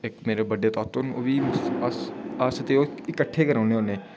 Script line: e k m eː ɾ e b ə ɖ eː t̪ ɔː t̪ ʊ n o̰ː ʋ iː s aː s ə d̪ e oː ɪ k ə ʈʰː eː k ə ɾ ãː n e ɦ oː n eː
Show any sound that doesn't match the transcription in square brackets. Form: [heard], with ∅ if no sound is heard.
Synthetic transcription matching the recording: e k m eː ɾ e b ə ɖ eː t̪ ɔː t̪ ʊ n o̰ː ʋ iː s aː s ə [t̪] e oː ɪ k ə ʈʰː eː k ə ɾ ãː n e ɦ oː n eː